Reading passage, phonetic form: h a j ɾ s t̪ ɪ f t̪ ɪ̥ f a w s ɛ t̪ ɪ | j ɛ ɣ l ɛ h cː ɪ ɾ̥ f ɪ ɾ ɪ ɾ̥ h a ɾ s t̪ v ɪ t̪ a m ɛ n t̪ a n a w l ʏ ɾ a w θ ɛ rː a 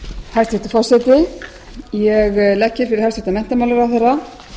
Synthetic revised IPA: h a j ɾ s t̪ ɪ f t̪ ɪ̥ f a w s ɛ t̪ ɪ | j ɛ ɣ l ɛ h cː ɪ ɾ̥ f ɪ ɾ ɪ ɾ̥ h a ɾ s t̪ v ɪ t̪ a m ɛ n t̪ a m a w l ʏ ɾ a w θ ɛ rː a